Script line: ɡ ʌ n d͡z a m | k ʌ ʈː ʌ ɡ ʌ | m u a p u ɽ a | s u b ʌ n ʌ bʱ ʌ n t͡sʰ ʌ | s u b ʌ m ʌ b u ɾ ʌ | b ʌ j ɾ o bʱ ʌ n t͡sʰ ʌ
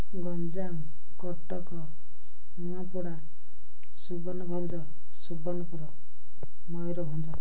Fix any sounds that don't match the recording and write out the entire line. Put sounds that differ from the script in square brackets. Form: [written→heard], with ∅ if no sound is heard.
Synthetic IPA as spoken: ɡ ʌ n d͡z a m | k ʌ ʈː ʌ [ɡ→k] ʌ | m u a p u ɽ a | s u b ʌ n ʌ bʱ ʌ n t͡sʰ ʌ | s u b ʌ [m→n] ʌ [b→p] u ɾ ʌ | [b→m] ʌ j ɾ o bʱ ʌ n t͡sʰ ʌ